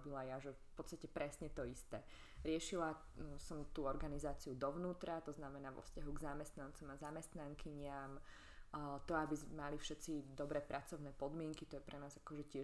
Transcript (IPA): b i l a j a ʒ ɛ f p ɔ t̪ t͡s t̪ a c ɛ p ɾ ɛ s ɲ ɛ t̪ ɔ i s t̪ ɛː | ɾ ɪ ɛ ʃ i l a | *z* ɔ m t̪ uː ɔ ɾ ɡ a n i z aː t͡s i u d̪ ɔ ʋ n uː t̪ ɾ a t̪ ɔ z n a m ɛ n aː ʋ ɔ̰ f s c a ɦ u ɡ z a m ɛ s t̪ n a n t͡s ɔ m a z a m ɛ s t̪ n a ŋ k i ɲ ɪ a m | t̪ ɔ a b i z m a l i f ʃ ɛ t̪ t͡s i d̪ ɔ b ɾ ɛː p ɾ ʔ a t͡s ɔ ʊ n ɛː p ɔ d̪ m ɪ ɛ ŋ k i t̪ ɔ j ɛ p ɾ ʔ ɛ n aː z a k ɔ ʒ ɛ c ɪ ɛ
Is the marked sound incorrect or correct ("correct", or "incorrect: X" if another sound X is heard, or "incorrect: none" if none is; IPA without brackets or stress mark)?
incorrect: s